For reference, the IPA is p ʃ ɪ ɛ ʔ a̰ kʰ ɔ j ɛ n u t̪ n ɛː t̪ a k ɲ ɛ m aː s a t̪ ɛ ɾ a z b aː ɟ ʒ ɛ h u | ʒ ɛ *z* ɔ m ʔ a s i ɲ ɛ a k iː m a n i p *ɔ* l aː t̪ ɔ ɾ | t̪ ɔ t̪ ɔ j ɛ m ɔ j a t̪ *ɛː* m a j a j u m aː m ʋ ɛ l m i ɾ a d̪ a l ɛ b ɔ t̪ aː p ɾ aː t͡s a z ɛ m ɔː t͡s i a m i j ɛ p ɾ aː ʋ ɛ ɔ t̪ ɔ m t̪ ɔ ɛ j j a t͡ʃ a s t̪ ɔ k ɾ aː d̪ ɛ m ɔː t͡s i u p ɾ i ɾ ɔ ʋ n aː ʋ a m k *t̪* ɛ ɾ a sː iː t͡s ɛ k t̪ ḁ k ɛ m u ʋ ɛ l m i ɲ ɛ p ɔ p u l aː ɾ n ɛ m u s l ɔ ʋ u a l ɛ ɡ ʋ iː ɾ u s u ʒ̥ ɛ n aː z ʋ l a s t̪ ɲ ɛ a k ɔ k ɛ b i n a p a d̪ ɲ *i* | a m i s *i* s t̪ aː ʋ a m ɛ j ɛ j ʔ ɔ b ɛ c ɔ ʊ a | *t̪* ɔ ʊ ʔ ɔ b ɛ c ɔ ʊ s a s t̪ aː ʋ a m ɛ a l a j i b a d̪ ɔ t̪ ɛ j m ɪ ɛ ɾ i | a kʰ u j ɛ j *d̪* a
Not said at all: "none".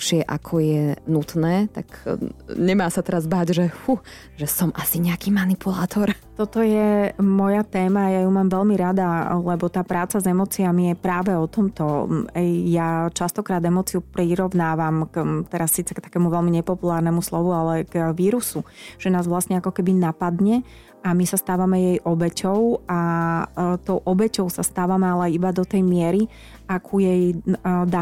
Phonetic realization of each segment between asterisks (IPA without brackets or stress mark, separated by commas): s, u, ɛː, t̪, ɛ, a, t̪, d̪